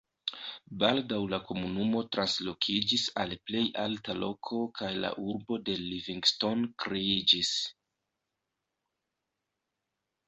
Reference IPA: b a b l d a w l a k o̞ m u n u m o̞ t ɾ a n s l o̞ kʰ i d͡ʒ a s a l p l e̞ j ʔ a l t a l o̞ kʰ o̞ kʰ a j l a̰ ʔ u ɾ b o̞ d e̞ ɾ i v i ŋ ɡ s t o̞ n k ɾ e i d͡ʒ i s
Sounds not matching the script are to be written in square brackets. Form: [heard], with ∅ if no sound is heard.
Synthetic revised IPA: b a [∅] l d a w l a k o̞ m u n u m o̞ t ɾ a n s l o̞ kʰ i d͡ʒ [i] s a l p l e̞ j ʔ a l t a l o̞ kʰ o̞ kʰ a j l a̰ ʔ u ɾ b o̞ d e̞ [l] i v i ŋ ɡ s t o̞ n k ɾ e i d͡ʒ i s